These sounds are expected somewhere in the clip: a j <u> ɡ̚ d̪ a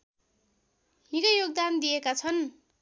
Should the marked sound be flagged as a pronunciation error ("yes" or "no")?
yes